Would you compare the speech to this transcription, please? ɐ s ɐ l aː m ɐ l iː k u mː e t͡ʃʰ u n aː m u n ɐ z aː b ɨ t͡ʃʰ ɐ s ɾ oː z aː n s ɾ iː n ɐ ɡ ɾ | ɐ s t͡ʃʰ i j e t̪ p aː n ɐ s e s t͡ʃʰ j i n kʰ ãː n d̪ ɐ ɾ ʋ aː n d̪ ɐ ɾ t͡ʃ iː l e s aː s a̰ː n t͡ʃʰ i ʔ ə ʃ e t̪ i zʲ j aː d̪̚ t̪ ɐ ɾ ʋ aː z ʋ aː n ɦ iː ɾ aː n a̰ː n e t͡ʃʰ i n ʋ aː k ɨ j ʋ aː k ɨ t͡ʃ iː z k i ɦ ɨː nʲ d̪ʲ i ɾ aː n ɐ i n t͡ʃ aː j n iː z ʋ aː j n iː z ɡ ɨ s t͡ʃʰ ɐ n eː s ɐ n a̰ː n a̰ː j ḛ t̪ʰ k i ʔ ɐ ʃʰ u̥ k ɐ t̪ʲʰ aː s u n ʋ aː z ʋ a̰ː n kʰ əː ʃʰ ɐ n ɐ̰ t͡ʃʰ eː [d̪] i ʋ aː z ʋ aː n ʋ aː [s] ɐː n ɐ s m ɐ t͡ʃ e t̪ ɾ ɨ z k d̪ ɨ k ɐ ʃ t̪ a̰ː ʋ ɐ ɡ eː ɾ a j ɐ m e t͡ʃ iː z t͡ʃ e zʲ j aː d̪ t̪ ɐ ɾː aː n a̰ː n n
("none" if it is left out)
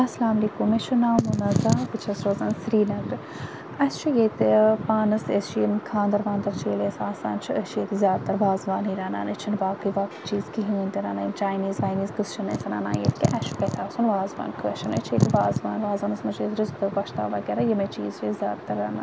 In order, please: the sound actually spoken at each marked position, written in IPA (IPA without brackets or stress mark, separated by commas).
t̪, z